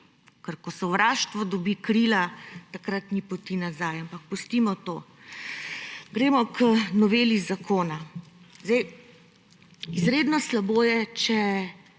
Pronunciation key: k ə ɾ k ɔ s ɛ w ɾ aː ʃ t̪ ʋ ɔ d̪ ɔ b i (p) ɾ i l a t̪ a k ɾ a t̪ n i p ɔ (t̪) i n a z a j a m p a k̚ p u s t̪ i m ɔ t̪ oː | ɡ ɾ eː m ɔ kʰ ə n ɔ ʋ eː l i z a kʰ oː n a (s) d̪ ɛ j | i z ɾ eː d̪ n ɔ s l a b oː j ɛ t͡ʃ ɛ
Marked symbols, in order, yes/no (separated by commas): no, yes, no